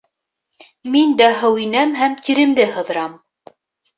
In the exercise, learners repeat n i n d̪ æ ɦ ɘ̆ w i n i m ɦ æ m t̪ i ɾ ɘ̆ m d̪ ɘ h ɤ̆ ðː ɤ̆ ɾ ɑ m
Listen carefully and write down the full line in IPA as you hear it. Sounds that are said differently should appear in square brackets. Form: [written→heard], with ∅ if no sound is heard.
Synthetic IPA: [n→m] i n d̪ æ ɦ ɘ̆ w i n [i→æ] m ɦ æ m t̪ i ɾ ɘ̆ m d̪ ɘ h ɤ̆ [ðː→ð] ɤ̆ ɾ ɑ m